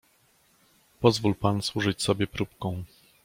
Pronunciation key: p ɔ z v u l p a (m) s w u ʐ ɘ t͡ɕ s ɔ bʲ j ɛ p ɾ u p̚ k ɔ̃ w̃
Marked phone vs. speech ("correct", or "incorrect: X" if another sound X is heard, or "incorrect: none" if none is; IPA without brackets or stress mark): incorrect: n